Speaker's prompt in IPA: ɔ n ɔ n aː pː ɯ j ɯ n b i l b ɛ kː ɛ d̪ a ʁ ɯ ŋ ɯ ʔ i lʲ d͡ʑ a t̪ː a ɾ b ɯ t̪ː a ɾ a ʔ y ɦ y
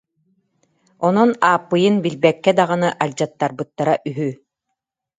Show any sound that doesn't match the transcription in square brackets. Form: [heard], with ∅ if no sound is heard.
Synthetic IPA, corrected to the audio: ɔ n ɔ n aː pː ɯ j ɯ n b i l b ɛ kː ɛ d̪ a ʁ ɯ [n] ɯ ʔ [a] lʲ d͡ʑ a t̪ː a ɾ b ɯ t̪ː a ɾ a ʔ y ɦ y

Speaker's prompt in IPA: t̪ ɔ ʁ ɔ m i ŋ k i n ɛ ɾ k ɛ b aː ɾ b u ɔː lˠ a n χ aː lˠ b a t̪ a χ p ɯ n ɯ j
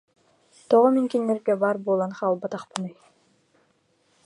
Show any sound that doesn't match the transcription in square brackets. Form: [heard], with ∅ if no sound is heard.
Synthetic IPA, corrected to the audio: t̪ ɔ ʁ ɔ m i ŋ k i [nː] ɛ ɾ [ɡ] ɛ b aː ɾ b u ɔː lˠ a n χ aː lˠ b a t̪ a χ p ɯ n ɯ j

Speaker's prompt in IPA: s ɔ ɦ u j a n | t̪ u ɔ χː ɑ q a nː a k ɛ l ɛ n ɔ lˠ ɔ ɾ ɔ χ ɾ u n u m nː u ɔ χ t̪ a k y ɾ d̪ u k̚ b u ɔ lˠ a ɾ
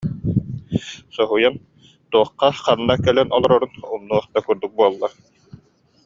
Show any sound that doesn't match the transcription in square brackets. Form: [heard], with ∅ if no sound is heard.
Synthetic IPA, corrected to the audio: s ɔ ɦ u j a n | t̪ u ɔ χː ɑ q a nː a k ɛ l ɛ n ɔ lˠ ɔ ɾ ɔ [∅] ɾ u n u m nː u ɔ χ t̪ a k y ɾ d̪ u k̚ b u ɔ [lˠː] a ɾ

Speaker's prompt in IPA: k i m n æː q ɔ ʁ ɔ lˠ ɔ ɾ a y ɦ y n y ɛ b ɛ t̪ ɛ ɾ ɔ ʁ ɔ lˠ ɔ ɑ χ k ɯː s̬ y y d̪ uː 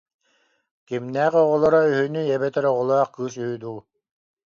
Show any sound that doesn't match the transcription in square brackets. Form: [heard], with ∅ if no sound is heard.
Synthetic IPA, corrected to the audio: k i m n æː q ɔ ʁ ɔ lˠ ɔ ɾ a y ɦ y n y ɛ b ɛ t̪ ɛ ɾ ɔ ʁ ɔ lˠ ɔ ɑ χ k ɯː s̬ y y d̪ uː

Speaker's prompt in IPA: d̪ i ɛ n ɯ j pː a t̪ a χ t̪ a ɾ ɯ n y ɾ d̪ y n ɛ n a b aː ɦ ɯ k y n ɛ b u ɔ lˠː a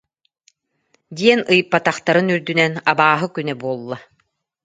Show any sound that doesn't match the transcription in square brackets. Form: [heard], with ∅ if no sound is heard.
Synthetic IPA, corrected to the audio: d̪ i ɛ n ɯ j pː a t̪ a χ t̪ a ɾ ɯ n y ɾ d̪ y n ɛ n a b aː ɦ ɯ k y n ɛ b u ɔ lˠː a

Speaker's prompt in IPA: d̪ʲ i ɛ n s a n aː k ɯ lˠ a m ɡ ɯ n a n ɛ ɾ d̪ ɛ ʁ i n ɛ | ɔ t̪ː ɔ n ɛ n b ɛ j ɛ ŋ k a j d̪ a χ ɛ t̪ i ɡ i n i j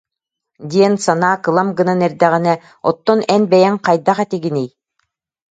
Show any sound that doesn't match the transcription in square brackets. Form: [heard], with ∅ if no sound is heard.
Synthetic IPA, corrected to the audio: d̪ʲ i ɛ n s a n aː k ɯ lˠ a m ɡ ɯ n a n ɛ ɾ d̪ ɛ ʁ i n ɛ | ɔ t̪ː ɔ n ɛ n b ɛ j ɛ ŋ [q] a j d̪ a χ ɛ t̪ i ɡ i n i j

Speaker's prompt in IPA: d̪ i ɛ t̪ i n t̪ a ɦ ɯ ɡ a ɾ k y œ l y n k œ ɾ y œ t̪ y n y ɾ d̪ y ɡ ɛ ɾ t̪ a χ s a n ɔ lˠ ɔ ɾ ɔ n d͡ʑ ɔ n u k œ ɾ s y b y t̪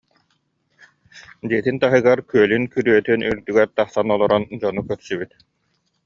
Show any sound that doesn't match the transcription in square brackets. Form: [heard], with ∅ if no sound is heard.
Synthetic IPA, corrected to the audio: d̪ i ɛ t̪ i n t̪ a ɦ ɯ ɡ a ɾ k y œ l y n k [y] ɾ y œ t̪ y n y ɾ d̪ y ɡ ɛ ɾ t̪ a χ s a n ɔ lˠ ɔ ɾ ɔ n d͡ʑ ɔ n u k œ ɾ s y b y t̪

